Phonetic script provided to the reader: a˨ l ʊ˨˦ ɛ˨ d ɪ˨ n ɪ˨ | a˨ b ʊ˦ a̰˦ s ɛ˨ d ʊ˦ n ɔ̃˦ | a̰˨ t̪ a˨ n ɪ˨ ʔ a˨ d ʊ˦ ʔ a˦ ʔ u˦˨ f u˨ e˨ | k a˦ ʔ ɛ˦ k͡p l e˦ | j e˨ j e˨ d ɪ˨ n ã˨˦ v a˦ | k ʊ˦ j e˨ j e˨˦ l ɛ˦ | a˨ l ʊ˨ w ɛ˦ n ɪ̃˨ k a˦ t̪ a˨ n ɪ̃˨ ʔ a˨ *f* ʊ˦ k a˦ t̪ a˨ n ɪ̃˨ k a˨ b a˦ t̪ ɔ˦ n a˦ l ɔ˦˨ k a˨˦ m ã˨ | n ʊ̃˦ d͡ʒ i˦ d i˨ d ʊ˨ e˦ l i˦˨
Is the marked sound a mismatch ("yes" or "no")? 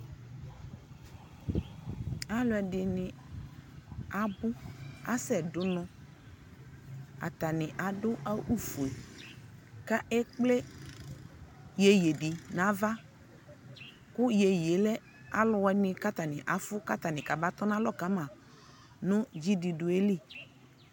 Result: no